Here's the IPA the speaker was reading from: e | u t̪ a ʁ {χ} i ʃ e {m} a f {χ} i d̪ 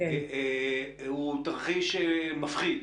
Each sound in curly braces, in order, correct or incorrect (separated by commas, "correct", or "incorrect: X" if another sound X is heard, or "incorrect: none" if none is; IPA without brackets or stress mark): correct, correct, correct